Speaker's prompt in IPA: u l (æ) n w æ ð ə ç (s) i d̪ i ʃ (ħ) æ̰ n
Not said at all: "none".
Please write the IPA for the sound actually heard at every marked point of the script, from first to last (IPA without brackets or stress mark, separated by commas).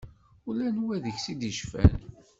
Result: æ, s, f